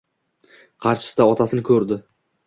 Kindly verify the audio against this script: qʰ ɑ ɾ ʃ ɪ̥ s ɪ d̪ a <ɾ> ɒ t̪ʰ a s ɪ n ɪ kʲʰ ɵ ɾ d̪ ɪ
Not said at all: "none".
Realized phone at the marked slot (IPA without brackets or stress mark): none